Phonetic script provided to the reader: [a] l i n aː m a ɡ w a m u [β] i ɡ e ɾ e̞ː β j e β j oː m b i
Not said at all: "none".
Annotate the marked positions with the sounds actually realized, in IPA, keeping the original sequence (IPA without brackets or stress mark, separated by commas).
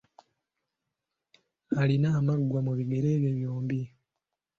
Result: a, β